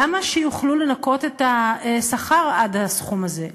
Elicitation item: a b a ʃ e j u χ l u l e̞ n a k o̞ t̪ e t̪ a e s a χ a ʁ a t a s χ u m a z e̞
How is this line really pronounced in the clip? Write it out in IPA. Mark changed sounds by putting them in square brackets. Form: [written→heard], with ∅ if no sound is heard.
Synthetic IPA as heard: a [b→m] a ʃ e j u χ l u l e̞ n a k o̞ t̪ e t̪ a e s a χ a ʁ a [t→d] a s χ u m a z e̞

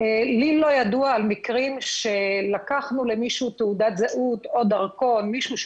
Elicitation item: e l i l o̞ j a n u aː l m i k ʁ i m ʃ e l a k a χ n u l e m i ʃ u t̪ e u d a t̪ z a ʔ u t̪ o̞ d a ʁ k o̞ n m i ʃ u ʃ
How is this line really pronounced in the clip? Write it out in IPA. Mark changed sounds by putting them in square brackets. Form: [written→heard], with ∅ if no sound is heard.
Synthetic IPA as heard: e l i l o̞ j a [n→d] u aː l m i k ʁ i m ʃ e l a k a χ n u l e m i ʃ u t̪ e u d a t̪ z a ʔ u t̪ o̞ d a ʁ k o̞ n m i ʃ u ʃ

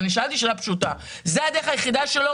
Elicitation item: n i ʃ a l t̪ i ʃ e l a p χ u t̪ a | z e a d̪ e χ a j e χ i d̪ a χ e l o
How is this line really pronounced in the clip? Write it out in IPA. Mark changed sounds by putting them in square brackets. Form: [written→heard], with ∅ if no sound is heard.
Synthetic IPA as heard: n i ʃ a l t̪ i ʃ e l a p [χ→ʃ] u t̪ a | z e a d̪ e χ a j e χ i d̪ a [χ→ʃ] e l o

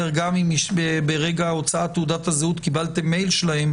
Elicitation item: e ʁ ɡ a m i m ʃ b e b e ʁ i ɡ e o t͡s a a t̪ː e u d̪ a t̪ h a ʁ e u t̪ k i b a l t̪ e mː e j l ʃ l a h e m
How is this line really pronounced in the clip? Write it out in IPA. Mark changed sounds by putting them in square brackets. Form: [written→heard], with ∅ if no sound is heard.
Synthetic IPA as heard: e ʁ ɡ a m i m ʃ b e b e ʁ [i→e] ɡ [e→a] o t͡s a a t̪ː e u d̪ a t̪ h a [ʁ→z] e u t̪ k i b a l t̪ e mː e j l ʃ l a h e m

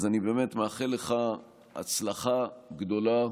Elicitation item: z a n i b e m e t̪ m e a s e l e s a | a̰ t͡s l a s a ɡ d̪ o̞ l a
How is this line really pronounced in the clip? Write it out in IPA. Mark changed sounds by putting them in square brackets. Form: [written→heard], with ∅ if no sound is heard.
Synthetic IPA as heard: z a n i b e m e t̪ m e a [s→χ] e l e [s→χ] a | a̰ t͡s l a [s→χ] a ɡ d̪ o̞ l a

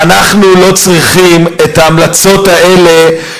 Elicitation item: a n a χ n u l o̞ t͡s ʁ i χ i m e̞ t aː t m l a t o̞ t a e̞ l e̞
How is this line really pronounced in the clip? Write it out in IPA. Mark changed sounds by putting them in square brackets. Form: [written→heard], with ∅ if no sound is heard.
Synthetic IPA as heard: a n a χ n u l o̞ t͡s ʁ i χ i m e̞ t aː [t→∅] m l a [t→t͡s] o̞ t a e̞ l e̞

